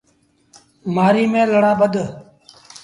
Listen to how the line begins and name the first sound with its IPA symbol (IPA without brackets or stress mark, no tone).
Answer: m